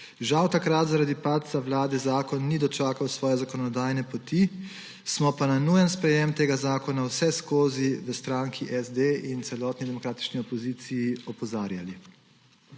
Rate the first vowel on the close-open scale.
open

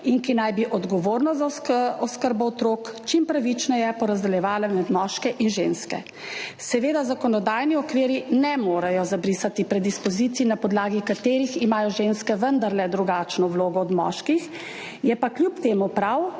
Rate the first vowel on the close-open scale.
close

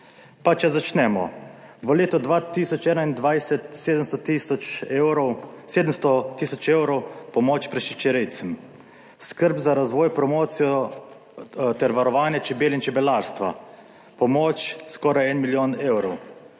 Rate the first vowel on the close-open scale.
open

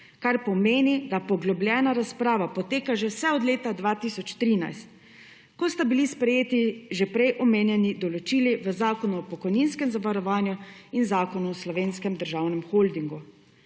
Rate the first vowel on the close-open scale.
open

